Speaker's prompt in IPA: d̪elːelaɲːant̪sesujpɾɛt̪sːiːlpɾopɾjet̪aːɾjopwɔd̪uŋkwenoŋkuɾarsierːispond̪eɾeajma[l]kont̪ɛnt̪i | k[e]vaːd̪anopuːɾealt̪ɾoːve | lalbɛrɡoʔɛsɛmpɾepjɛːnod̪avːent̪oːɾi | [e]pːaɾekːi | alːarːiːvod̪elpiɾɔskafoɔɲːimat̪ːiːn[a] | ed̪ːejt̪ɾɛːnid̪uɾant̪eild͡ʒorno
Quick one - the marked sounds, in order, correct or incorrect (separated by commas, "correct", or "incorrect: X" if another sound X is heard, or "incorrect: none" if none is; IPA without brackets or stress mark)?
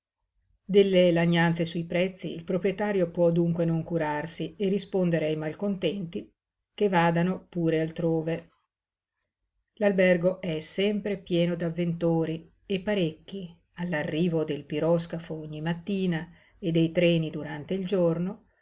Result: correct, correct, correct, correct